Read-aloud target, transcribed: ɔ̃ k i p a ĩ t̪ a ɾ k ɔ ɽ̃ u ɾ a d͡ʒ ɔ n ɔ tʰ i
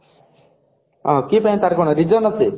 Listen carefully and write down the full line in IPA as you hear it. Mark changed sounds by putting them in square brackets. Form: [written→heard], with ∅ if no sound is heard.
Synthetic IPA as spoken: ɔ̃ k i p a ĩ t̪ a ɾ k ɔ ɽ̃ [u→ɔ] ɾ [a→i] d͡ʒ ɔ n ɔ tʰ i